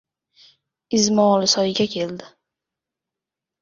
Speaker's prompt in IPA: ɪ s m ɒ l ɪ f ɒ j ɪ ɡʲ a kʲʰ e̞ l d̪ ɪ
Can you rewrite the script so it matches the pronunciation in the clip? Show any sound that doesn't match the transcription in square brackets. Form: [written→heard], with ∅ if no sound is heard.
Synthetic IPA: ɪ [s→z] m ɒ l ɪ [f→s] ɒ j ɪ ɡʲ a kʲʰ e̞ l d̪ ɪ